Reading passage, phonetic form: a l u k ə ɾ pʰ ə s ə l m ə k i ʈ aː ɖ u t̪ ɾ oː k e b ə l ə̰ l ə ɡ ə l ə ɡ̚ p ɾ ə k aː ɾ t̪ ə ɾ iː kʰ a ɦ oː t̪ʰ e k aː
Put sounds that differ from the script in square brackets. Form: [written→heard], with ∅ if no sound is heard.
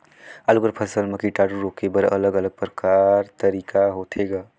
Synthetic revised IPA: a l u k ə ɾ pʰ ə s ə l m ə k i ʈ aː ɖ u [t̪→∅] ɾ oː k e b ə [l→ɾ] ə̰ l ə ɡ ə l ə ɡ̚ p ɾ ə k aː ɾ t̪ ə ɾ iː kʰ a ɦ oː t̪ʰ e [k→ɡ] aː

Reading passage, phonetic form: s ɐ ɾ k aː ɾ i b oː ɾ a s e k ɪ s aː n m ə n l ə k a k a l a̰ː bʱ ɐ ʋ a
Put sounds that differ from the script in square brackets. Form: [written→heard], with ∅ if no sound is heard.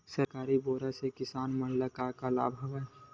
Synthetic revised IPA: s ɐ ɾ k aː ɾ i b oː ɾ a s e k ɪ s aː n m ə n l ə k a k a l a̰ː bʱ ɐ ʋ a

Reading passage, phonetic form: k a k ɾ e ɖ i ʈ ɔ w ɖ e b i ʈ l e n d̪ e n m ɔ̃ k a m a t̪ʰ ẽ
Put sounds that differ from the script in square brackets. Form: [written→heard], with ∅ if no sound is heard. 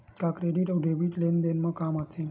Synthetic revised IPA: k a k ɾ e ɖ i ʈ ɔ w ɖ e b i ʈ l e n d̪ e n m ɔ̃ k a m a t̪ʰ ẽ

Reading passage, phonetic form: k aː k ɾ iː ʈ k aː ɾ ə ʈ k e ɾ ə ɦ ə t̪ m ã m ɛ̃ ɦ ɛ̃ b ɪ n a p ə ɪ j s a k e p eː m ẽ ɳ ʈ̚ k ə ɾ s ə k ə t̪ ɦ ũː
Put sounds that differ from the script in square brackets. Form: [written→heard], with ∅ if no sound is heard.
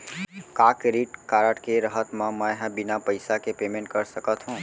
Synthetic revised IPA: k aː k ɾ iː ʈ k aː ɾ ə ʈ k e ɾ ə ɦ ə t̪ m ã m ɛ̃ ɦ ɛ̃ b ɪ n a p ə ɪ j s a k e p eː m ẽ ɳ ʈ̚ k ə ɾ s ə k ə t̪ ɦ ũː

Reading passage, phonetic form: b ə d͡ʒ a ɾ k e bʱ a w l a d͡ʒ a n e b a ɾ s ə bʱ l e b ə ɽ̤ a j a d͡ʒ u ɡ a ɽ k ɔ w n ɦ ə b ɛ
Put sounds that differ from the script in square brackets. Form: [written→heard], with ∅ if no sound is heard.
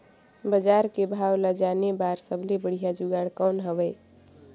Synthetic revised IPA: b ə d͡ʒ a ɾ k e bʱ a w l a d͡ʒ a n e b a ɾ s ə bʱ l e b ə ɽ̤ [a→i] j a d͡ʒ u ɡ a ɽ k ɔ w n ɦ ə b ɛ

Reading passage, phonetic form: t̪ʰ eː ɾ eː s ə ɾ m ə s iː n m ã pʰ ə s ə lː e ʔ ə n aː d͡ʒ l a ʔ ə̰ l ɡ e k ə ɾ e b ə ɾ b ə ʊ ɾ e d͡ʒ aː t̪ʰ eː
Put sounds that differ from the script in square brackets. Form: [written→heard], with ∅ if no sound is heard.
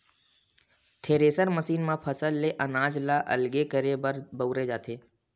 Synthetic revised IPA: t̪ʰ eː ɾ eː s ə ɾ m ə s iː n m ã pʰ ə s ə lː e ʔ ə n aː d͡ʒ l a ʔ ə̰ l ɡ e k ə ɾ e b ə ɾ b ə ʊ ɾ e d͡ʒ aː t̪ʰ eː

